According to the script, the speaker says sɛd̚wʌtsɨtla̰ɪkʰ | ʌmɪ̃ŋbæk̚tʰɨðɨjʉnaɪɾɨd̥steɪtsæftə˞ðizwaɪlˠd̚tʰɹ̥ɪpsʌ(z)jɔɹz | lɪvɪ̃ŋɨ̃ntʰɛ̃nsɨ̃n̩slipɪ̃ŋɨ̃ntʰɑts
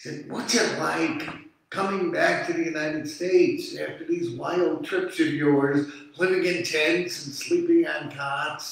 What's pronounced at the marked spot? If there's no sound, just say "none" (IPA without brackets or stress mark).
v